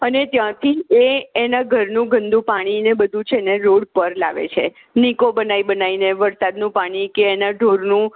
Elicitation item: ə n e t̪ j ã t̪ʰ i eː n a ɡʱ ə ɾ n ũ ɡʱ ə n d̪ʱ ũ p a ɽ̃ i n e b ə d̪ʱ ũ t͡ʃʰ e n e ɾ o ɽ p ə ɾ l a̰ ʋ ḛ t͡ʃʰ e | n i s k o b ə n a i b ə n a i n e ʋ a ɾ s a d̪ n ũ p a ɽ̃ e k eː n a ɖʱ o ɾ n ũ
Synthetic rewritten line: ə n e t̪ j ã t̪ʰ i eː n a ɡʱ ə ɾ n ũ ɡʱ ə n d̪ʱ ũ p a ɽ̃ i n e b ə d̪ʱ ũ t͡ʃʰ e n e ɾ o ɽ p ə ɾ l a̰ ʋ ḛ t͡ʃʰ e | n i k o b ə n a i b ə n a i n e ʋ ə ɾ s a d̪ n ũ p a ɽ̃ i k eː n a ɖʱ o ɾ n ũ